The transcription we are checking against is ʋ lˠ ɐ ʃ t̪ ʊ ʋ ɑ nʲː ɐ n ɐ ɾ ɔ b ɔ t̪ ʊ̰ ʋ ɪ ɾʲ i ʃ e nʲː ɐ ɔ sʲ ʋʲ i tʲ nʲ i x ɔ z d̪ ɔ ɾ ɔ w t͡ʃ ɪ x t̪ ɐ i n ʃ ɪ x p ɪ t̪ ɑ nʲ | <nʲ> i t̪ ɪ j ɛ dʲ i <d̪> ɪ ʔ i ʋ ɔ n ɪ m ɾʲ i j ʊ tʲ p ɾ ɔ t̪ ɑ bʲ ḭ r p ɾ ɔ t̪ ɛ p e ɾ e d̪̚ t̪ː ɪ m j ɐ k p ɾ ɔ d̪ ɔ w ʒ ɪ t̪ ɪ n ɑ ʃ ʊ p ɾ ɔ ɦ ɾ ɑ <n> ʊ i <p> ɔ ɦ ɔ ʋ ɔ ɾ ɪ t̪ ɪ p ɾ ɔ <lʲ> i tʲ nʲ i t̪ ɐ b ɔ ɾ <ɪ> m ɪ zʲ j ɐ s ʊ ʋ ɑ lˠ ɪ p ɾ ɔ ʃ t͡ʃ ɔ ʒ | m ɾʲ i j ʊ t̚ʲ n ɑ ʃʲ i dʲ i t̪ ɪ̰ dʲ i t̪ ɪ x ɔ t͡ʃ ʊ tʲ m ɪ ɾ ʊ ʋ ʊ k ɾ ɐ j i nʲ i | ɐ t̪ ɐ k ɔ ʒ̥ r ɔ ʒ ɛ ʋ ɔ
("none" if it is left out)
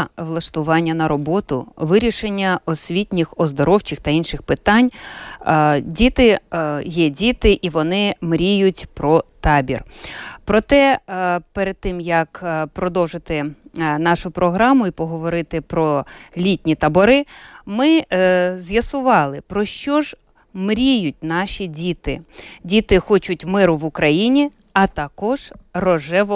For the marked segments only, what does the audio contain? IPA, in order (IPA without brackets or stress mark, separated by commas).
dʲ, t̪, m, p, lʲ, ɪ